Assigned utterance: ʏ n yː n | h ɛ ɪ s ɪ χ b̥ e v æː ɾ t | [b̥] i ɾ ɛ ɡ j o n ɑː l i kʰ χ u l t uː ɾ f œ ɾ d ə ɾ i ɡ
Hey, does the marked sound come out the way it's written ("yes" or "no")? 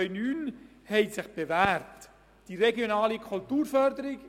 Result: no